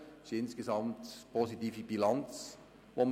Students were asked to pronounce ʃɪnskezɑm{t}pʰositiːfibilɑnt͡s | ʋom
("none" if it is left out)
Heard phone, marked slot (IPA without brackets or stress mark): t